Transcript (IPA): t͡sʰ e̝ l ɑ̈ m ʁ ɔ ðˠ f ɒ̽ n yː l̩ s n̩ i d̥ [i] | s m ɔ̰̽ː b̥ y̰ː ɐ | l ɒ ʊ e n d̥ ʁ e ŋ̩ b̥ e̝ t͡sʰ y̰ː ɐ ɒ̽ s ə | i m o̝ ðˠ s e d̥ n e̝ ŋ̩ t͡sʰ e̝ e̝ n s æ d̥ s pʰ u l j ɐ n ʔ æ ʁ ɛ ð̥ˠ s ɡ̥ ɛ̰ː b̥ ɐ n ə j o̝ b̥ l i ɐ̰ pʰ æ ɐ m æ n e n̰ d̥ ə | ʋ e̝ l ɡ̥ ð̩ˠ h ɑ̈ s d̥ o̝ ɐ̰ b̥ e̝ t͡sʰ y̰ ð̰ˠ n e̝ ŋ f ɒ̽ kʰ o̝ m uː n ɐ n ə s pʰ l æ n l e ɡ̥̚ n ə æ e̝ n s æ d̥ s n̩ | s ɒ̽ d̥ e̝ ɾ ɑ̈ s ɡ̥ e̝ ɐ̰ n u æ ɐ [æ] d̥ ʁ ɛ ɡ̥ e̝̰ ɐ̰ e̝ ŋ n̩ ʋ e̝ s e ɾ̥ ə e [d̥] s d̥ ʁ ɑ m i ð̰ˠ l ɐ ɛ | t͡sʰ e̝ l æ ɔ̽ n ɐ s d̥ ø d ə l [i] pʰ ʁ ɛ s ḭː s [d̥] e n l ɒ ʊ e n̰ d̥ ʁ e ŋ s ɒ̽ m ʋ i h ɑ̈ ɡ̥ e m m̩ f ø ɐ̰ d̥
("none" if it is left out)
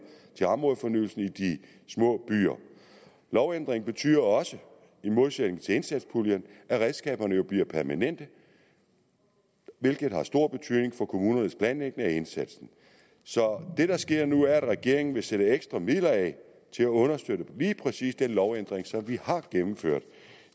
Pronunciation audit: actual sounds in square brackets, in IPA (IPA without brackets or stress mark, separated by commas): i, æ, ɡ̥, iː, d̥